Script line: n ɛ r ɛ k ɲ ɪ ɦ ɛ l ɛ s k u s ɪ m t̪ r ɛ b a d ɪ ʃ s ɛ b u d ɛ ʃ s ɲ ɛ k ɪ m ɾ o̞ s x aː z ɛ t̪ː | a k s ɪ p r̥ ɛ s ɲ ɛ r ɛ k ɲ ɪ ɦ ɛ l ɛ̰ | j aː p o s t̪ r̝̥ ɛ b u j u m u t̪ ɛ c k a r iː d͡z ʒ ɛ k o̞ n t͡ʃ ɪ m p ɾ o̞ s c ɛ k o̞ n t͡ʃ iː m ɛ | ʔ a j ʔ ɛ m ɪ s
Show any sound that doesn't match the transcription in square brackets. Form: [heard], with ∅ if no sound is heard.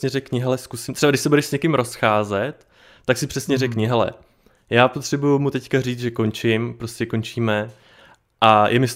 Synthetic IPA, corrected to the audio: [ɲ] ɛ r ɛ k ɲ ɪ ɦ ɛ l ɛ s k u s ɪ m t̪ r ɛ b a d ɪ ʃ s ɛ b u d ɛ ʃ s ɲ ɛ k ɪ m ɾ o̞ s x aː z ɛ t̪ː | a k s ɪ p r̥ ɛ s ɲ ɛ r ɛ k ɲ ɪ ɦ ɛ l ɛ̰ | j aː p o [∅] t̪ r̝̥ ɛ b u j u m u t̪ ɛ c k a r iː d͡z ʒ ɛ k o̞ n t͡ʃ ɪ m p ɾ o̞ s c ɛ k o̞ n t͡ʃ iː m ɛ | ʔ a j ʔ ɛ m ɪ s